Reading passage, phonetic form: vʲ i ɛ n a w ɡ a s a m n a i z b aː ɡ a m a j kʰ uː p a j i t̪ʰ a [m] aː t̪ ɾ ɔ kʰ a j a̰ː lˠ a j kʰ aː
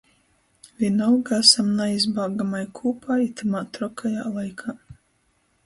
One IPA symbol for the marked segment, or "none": m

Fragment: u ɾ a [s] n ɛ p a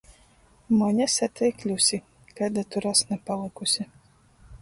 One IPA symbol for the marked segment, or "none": s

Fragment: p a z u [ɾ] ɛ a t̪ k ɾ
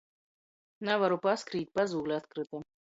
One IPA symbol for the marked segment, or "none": l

